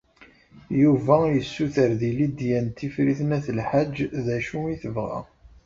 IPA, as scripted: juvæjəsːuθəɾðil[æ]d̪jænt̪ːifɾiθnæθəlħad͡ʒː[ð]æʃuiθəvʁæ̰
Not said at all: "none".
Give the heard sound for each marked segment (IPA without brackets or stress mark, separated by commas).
i, ð